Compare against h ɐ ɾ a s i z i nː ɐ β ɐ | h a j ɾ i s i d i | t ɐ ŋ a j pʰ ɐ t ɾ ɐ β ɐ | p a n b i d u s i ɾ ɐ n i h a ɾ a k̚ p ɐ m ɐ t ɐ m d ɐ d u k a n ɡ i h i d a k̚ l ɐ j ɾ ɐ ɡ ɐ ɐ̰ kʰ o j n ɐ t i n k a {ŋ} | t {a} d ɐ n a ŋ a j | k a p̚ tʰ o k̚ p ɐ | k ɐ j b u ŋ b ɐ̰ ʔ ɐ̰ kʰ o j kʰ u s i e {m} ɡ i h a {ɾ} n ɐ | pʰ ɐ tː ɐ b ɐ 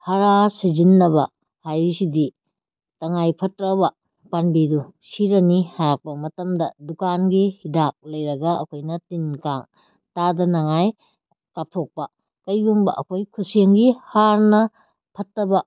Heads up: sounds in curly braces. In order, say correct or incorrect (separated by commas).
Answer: correct, correct, incorrect, correct